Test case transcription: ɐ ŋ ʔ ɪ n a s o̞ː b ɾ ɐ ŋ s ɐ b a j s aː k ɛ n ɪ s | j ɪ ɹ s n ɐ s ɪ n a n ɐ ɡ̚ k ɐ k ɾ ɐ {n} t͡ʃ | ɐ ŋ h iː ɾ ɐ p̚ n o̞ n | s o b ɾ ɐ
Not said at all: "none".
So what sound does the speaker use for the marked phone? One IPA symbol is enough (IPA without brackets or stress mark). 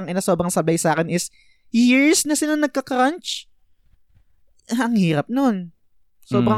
n